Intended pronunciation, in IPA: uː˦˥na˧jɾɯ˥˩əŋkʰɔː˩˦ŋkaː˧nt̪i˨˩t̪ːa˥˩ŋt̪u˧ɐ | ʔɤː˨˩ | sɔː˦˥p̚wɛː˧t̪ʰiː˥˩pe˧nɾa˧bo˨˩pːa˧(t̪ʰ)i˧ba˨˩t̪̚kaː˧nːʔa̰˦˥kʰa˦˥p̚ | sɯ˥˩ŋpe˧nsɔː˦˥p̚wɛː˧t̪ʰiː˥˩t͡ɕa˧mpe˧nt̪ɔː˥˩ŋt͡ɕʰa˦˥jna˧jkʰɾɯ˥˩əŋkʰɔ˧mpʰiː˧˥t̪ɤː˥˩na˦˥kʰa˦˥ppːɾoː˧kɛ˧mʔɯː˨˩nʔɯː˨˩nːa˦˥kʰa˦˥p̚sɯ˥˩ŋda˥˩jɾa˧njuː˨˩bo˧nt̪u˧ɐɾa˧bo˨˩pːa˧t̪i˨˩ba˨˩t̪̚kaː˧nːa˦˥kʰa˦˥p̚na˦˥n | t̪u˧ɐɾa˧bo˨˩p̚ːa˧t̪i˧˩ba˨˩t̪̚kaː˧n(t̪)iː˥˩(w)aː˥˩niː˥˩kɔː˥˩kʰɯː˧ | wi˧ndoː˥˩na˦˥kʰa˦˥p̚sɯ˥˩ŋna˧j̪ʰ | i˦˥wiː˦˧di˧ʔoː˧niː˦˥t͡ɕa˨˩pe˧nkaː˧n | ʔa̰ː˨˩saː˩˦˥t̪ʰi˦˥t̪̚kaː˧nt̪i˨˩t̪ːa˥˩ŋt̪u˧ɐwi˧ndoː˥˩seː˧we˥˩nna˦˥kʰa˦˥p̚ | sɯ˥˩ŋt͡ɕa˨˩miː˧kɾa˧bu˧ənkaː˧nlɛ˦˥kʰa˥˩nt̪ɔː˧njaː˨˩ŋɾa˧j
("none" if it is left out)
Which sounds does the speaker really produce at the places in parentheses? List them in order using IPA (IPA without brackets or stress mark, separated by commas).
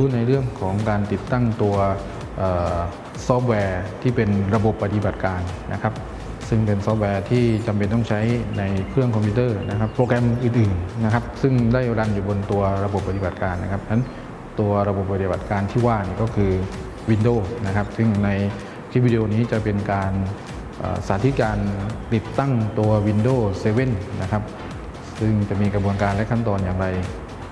t̪, t̪ʰ, w